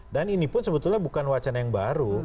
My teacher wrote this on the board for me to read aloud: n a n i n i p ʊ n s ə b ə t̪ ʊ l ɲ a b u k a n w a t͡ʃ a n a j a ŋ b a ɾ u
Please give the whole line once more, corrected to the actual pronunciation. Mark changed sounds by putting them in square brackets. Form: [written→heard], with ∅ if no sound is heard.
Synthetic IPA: [n→d] a n i n i p ʊ n s ə b ə t̪ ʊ l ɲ a b u k a n w a t͡ʃ a n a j a ŋ b a ɾ u